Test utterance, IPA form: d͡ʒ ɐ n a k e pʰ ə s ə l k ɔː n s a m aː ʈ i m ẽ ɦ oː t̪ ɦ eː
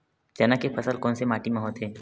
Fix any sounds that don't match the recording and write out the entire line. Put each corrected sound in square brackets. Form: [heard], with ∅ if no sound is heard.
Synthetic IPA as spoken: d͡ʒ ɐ n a k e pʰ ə s ə l k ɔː n s [e] m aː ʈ i m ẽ ɦ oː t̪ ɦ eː